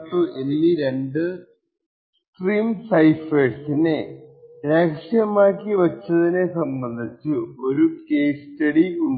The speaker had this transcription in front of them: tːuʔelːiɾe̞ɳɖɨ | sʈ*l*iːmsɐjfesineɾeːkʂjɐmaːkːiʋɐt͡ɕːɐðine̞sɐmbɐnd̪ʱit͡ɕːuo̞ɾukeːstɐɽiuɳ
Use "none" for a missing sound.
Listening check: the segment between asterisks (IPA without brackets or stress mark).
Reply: r